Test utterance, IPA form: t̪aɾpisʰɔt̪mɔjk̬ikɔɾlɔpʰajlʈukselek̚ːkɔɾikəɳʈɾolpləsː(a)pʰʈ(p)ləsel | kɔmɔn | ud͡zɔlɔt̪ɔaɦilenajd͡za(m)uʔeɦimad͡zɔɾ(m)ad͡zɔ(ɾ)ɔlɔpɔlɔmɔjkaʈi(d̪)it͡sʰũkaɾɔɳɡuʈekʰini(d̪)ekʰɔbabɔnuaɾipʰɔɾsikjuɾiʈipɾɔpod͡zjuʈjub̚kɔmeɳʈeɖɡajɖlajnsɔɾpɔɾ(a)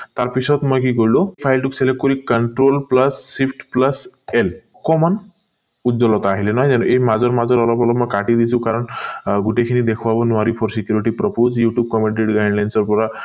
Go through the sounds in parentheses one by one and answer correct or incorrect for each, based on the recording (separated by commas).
incorrect, correct, incorrect, correct, correct, correct, correct, correct